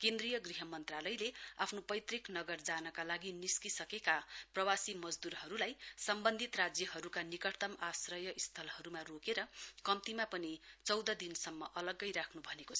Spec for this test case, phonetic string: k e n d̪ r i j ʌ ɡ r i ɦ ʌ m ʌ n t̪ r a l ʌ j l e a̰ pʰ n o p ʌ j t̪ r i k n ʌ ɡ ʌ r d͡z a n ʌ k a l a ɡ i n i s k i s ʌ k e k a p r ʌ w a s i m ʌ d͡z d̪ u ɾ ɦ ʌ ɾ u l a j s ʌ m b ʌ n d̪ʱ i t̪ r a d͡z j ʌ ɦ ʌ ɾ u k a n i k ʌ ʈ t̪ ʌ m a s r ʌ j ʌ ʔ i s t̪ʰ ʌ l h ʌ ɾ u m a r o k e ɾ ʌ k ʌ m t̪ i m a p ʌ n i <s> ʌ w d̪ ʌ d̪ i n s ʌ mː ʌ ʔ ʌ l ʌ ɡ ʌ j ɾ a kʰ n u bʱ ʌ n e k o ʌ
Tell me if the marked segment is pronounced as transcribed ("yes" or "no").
no